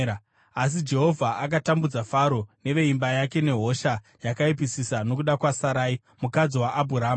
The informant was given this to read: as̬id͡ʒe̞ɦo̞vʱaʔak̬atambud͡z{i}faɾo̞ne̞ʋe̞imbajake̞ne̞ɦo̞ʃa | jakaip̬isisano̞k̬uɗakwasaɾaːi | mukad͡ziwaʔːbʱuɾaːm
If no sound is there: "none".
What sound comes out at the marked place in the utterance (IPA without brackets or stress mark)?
a